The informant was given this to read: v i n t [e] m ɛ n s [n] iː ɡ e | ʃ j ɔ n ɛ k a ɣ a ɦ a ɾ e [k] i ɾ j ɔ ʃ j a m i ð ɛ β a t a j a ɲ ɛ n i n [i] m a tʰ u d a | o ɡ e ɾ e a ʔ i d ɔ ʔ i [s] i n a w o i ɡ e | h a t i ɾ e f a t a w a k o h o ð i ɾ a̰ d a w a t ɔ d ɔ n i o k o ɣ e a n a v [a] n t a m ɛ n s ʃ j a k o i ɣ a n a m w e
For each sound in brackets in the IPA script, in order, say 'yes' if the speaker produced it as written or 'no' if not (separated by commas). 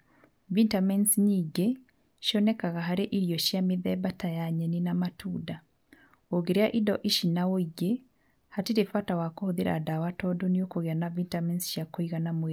no, no, no, no, no, no